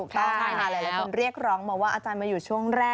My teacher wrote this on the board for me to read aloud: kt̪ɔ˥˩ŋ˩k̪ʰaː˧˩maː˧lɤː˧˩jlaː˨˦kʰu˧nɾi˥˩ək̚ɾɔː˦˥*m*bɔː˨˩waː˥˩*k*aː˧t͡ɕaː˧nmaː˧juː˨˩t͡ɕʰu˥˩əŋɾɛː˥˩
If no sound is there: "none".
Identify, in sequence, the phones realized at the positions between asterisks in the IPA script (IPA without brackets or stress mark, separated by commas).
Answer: ŋ, ʔ